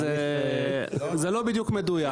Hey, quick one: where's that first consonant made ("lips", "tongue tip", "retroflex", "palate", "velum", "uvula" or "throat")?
tongue tip